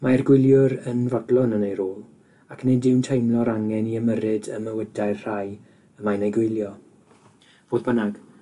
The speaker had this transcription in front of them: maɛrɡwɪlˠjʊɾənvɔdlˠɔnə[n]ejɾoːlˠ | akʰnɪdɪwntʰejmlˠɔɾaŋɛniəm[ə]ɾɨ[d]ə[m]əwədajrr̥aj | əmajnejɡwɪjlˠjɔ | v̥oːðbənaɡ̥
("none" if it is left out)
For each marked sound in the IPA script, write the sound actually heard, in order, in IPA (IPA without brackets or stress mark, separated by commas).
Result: n, ə, d, m